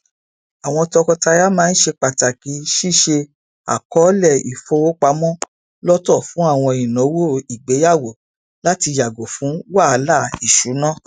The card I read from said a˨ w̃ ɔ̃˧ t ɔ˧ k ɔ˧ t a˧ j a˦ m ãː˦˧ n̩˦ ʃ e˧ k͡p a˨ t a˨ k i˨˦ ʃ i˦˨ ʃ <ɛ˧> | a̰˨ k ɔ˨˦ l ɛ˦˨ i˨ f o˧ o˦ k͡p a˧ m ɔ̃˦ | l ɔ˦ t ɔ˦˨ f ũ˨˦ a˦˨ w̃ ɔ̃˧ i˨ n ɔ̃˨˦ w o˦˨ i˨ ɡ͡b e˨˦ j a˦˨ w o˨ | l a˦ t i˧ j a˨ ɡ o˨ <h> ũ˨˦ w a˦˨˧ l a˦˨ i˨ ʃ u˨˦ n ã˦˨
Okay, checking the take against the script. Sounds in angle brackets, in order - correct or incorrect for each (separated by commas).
incorrect, incorrect